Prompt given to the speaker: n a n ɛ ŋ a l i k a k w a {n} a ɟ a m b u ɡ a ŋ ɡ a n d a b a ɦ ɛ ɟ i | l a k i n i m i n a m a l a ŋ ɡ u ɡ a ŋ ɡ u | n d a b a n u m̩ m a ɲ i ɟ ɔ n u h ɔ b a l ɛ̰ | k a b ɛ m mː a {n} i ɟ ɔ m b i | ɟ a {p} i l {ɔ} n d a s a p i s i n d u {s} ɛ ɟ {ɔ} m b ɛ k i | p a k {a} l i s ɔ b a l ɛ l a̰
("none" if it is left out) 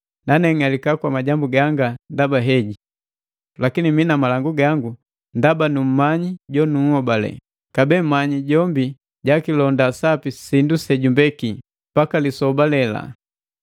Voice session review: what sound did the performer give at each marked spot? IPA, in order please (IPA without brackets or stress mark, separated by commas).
m, ɲ, k, ɔ, s, u, a